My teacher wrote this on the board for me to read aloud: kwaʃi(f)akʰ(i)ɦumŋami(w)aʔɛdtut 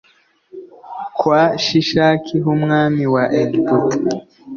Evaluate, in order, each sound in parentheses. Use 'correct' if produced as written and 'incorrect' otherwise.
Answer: incorrect, correct, correct

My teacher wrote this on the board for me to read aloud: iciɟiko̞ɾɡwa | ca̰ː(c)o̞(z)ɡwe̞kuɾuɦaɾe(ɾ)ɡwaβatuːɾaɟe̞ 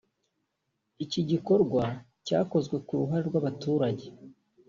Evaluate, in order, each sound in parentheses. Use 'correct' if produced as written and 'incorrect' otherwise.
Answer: incorrect, correct, correct

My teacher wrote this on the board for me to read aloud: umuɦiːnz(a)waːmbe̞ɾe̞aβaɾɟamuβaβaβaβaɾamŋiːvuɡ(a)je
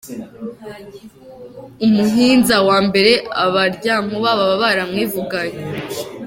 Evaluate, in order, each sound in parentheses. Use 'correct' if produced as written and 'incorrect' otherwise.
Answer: correct, correct

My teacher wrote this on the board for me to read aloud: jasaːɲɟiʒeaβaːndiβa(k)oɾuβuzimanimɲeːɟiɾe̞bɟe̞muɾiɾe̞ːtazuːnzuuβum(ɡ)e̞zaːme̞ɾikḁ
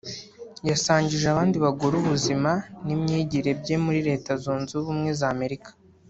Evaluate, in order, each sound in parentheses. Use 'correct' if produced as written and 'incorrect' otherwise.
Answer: incorrect, incorrect

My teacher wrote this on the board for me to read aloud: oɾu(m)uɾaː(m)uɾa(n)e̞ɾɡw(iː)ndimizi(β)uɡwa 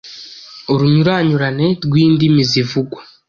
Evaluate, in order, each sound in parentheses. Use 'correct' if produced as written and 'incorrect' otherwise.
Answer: incorrect, incorrect, correct, correct, incorrect

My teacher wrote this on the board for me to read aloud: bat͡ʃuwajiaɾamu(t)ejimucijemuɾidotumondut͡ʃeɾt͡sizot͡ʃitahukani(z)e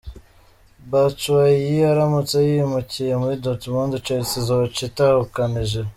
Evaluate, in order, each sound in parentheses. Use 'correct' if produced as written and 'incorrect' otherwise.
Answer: incorrect, incorrect

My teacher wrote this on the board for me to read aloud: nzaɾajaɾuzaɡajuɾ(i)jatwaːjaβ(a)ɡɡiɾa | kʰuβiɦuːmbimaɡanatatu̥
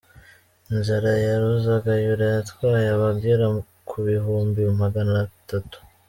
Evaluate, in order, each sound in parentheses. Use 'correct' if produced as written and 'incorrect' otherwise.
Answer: incorrect, correct

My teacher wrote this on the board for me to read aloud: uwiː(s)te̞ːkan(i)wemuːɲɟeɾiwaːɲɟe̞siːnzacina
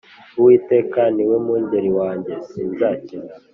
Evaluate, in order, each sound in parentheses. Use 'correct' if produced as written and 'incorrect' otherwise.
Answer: incorrect, correct

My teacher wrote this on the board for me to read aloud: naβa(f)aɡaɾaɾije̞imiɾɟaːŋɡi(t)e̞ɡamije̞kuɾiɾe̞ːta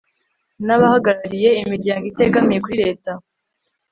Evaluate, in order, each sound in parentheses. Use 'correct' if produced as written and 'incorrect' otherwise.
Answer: incorrect, correct

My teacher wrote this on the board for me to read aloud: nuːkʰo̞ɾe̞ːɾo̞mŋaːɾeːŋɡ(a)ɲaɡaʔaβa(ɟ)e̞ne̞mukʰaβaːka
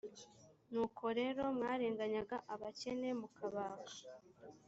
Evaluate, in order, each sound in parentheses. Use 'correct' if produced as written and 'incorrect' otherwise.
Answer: correct, incorrect

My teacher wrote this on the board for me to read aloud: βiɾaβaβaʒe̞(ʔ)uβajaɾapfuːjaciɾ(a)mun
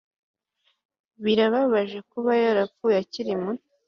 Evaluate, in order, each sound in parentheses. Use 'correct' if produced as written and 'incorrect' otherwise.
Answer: incorrect, incorrect

